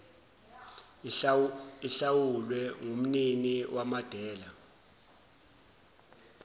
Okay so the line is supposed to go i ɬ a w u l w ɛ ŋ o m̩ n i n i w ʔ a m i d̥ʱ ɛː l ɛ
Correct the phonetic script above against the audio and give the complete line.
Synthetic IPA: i ɬ a w u l w ɛ ŋ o m̩ n i n i w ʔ a m a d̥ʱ ɛː l a